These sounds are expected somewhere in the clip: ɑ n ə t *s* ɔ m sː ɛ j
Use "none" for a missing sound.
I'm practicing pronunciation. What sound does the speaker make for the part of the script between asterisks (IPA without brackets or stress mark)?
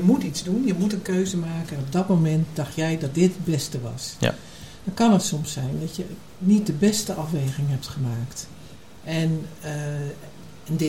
s